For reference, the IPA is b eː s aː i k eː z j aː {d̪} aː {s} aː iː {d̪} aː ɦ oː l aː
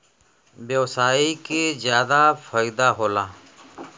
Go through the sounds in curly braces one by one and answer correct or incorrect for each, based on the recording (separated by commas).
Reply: correct, incorrect, correct